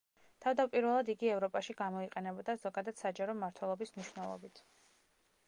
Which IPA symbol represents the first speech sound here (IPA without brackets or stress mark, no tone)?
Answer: t̪ʰ